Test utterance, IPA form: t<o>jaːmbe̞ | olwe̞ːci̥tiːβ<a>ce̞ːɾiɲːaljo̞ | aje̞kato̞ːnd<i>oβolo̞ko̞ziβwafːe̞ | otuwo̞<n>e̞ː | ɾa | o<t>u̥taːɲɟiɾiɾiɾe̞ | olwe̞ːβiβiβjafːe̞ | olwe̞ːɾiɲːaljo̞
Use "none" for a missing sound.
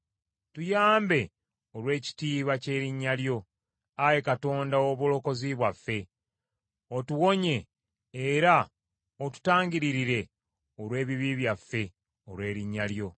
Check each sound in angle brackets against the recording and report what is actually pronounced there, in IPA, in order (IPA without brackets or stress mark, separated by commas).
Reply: u, a, a, ɲ, t